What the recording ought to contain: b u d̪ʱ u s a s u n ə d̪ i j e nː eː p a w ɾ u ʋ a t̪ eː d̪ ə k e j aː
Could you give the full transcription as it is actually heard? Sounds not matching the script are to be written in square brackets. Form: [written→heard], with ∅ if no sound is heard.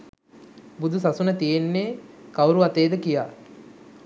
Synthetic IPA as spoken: b u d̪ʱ u s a s u n ə [d̪→t̪] i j e nː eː [p→k] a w ɾ u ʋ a t̪ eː d̪ ə k [e→i] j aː